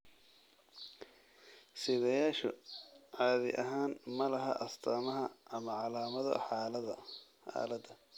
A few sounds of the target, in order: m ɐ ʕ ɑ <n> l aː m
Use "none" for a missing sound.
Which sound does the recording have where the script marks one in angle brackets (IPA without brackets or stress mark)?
none